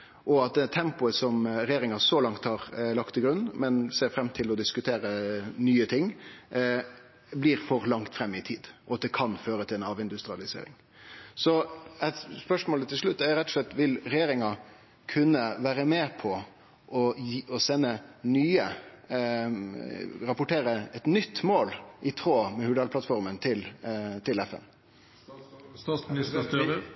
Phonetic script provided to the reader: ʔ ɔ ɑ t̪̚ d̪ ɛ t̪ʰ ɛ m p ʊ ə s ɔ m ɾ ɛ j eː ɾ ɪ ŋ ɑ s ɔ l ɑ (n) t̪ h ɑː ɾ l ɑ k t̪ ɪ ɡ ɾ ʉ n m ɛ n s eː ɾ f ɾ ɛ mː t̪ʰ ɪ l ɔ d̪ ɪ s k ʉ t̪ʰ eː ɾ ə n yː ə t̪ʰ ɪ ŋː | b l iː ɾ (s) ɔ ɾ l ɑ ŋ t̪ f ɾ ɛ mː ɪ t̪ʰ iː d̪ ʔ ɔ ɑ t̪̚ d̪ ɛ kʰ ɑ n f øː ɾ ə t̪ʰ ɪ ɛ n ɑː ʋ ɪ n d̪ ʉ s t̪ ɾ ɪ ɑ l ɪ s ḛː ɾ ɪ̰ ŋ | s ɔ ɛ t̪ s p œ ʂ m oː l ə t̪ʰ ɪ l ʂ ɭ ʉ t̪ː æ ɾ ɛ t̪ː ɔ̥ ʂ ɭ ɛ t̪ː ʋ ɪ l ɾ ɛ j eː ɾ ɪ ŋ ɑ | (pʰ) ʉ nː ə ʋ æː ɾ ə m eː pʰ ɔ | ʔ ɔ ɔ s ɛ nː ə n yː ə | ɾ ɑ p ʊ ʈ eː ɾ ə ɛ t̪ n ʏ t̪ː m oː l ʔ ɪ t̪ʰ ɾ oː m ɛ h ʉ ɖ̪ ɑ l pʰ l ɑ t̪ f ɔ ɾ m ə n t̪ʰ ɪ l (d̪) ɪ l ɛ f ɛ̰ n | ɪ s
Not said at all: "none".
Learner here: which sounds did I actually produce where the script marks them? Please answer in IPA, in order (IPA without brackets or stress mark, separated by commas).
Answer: ŋ, f, kʰ, t̪